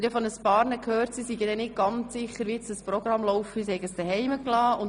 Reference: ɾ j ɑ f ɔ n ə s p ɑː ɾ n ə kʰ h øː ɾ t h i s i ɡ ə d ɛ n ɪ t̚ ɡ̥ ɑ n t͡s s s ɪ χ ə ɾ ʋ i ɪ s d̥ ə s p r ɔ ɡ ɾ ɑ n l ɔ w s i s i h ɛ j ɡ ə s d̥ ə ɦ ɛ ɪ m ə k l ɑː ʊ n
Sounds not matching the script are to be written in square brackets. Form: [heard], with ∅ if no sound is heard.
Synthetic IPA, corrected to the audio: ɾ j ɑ f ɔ n ə s p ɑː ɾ n ə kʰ h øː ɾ t [s] i s i ɡ ə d ɛ n ɪ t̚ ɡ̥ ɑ n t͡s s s ɪ χ ə ɾ ʋ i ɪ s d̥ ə s p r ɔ ɡ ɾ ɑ [m] l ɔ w [f] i s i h ɛ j ɡ ə s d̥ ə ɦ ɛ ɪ m ə k l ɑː ʊ n